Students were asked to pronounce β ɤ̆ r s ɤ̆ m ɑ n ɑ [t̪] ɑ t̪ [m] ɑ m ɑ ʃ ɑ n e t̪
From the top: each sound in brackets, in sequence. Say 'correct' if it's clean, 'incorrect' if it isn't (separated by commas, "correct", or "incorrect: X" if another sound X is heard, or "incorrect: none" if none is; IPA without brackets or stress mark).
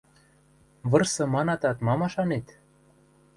correct, correct